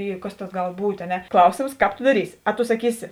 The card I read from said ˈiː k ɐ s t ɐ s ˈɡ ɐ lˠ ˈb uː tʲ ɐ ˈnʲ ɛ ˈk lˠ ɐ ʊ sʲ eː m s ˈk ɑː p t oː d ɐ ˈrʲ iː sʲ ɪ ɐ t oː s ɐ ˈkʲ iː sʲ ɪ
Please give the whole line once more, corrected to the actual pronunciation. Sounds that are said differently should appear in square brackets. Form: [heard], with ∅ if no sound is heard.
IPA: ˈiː k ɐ s t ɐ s ˈɡ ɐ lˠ ˈb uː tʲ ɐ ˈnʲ ɛ ˈk lˠ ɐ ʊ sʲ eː m s ˈk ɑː p t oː d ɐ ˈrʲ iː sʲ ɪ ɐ t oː s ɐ ˈkʲ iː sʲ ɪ